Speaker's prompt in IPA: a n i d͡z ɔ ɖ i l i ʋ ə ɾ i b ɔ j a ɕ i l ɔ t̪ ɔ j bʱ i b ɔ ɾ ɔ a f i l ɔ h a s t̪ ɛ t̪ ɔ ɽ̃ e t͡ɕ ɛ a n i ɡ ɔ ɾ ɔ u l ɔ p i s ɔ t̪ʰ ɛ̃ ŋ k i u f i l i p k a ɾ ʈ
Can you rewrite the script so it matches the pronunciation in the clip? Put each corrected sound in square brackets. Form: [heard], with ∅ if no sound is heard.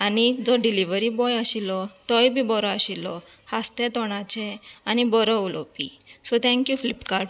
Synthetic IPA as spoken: a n i d͡z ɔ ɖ i l i ʋ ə ɾ i b ɔ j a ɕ i l ɔ t̪ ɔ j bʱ i b ɔ ɾ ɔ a [ɕ] i l ɔ h a s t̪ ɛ t̪ ɔ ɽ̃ [a] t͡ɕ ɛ a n i [b] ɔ ɾ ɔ u l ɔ p i s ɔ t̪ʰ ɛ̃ ŋ k [j] u f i l i p k a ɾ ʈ